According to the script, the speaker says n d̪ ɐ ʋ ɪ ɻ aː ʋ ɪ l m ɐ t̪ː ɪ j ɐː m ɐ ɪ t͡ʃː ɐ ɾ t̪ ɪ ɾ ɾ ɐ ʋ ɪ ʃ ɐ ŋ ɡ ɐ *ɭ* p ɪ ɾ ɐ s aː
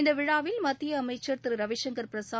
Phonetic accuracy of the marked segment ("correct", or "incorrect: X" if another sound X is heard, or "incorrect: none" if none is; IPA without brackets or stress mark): incorrect: ɾ